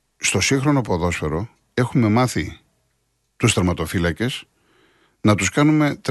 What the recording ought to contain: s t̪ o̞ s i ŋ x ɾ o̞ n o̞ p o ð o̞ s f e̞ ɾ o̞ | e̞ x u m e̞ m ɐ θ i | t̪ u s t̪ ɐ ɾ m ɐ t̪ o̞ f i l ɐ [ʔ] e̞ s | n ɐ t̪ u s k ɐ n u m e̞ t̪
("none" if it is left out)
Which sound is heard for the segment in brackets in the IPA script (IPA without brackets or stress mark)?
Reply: c